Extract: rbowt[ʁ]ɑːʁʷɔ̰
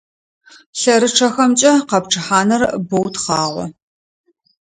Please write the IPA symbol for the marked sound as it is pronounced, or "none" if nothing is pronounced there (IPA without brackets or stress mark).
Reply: χ